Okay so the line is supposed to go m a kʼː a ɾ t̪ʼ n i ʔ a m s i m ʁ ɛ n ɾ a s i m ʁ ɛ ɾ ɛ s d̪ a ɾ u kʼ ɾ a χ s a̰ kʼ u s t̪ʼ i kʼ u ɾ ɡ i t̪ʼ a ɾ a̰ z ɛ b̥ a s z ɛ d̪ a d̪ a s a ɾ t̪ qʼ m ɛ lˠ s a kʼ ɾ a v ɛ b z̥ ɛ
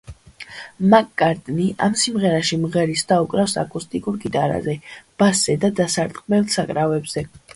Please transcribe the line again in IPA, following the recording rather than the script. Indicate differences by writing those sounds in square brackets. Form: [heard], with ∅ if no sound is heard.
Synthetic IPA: m a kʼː a ɾ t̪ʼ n i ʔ a m s i m ʁ ɛ [∅] ɾ a [ʃ] i m ʁ ɛ ɾ [i] s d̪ a [∅] u kʼ ɾ a [f] s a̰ kʼ u s t̪ʼ i kʼ u ɾ ɡ i t̪ʼ a ɾ a̰ z ɛ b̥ a s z ɛ d̪ a d̪ a s a ɾ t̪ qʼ m ɛ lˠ s a kʼ ɾ a v ɛ b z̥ ɛ